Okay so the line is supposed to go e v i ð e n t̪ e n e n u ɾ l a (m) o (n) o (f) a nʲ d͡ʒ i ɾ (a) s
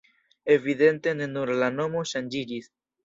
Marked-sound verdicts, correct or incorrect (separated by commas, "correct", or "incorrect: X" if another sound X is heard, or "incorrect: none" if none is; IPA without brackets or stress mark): incorrect: n, incorrect: m, incorrect: ʃ, incorrect: i